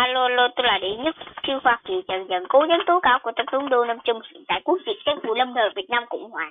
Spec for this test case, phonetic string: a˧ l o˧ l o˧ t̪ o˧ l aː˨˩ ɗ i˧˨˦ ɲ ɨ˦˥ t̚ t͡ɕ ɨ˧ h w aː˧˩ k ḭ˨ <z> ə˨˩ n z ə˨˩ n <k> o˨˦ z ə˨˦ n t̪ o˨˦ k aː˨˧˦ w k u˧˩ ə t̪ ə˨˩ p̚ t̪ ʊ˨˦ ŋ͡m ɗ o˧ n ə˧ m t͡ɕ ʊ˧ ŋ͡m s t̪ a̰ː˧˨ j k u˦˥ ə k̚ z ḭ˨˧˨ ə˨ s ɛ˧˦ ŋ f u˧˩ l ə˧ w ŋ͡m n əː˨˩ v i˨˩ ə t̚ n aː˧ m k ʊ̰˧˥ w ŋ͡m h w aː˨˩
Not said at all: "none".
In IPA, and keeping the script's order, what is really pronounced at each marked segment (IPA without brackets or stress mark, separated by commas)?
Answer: z, k